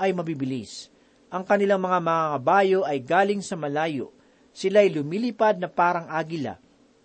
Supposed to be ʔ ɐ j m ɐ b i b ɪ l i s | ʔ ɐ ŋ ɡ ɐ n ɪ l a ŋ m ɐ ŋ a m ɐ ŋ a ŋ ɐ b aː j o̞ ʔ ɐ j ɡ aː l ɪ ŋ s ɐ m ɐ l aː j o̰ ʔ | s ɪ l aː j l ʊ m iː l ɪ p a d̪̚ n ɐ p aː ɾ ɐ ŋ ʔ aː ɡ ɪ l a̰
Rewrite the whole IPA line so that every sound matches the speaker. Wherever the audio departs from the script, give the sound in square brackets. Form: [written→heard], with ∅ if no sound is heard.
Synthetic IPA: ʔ ɐ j m ɐ b i b ɪ l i s | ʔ ɐ ŋ [ɡ→k] ɐ n ɪ l a ŋ m ɐ ŋ a m ɐ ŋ a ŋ ɐ b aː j o̞ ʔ ɐ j ɡ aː l ɪ ŋ s ɐ m ɐ l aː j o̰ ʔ | s ɪ l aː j l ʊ m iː l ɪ p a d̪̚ n ɐ p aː ɾ ɐ ŋ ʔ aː ɡ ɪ l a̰